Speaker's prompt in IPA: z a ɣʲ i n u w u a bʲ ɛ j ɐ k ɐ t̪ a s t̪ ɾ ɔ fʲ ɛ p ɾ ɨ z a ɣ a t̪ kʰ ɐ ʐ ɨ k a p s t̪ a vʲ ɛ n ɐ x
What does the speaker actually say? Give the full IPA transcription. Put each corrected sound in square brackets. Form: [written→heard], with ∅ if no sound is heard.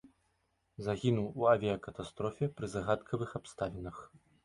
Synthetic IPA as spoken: z a ɣʲ i n u w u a [bʲ→vʲ] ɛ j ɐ k ɐ t̪ a s t̪ ɾ ɔ fʲ ɛ p ɾ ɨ z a ɣ a t̪ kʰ ɐ [ʐ→v] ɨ [k→x] a p s t̪ a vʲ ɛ n ɐ x